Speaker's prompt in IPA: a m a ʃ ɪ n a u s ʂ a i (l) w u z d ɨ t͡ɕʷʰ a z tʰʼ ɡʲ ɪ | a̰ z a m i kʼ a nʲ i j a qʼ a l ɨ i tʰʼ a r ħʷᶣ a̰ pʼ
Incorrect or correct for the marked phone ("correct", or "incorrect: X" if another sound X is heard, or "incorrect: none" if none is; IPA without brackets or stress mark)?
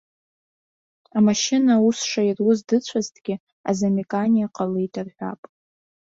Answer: incorrect: r